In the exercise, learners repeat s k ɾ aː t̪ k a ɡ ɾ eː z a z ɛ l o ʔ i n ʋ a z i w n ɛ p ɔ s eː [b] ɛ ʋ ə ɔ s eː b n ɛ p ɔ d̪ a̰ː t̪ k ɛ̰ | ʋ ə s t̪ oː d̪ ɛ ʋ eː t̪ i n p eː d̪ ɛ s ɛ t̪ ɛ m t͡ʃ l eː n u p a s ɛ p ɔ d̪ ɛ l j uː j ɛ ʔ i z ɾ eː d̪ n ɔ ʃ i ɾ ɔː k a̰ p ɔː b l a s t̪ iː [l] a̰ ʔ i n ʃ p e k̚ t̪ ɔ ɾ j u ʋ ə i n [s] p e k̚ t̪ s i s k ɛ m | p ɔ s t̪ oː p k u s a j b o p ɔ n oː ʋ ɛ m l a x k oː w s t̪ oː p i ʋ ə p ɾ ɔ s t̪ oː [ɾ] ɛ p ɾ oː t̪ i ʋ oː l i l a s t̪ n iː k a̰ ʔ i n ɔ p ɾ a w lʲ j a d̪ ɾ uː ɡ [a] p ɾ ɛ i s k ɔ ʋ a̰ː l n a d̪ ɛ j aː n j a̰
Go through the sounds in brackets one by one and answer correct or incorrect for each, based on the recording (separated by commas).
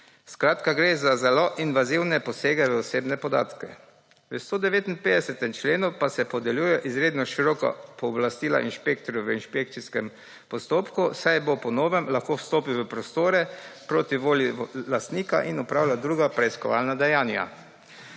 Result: incorrect, correct, incorrect, correct, correct